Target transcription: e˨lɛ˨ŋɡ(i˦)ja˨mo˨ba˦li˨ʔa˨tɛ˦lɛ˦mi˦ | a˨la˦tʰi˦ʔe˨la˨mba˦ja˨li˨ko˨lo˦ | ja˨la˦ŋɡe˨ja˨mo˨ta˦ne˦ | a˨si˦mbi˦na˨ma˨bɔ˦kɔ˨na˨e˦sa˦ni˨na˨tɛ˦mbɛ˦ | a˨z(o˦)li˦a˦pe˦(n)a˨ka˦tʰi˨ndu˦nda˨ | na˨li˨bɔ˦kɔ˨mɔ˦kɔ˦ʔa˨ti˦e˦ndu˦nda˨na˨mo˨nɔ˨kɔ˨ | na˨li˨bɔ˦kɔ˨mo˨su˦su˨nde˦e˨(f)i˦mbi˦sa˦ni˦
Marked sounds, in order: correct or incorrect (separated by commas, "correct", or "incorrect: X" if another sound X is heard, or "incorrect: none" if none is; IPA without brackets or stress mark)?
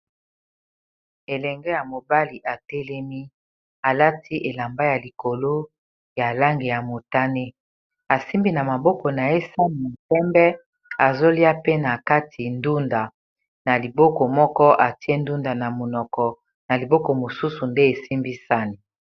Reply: incorrect: ɛ˦, correct, correct, incorrect: s